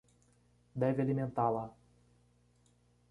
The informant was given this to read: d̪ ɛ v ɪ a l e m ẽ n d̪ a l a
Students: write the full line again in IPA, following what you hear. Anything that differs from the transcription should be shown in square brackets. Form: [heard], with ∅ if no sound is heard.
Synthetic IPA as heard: d̪ ɛ v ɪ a l [i] m ẽ n [t̪] a l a